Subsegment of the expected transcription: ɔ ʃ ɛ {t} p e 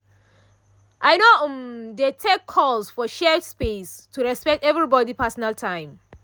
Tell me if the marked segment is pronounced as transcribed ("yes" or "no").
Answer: no